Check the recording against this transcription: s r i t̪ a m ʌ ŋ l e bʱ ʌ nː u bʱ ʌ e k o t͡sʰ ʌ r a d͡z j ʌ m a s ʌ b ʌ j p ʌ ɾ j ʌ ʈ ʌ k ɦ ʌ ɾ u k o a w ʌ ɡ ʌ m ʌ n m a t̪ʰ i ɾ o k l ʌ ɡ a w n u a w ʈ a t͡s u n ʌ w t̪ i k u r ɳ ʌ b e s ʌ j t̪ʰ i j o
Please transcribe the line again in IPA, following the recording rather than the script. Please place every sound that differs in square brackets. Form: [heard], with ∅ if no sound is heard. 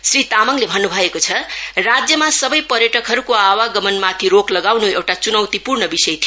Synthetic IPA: s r i t̪ a m ʌ ŋ l e bʱ ʌ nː u bʱ ʌ e k o t͡sʰ ʌ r a d͡z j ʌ m a s ʌ b ʌ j p ʌ ɾ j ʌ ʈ ʌ k ɦ ʌ ɾ u k o a w [a] ɡ ʌ m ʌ n m a t̪ʰ i ɾ o k l ʌ ɡ a w n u [e] w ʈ a t͡s u n ʌ w t̪ i [p] u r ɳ ʌ b [i] s ʌ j t̪ʰ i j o